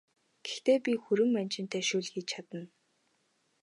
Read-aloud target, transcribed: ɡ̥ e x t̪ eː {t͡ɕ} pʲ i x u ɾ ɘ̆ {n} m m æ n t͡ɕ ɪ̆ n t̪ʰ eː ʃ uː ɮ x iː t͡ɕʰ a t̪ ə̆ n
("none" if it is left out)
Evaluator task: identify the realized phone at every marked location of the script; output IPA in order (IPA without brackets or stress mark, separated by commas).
none, none